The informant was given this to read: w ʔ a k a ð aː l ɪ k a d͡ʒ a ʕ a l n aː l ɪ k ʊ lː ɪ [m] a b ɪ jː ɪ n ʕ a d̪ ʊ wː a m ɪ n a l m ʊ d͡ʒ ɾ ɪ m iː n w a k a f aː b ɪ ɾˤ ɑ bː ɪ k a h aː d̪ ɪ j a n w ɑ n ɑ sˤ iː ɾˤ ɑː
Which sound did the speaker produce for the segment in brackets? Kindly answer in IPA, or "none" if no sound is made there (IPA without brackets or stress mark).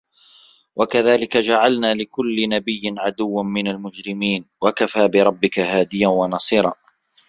n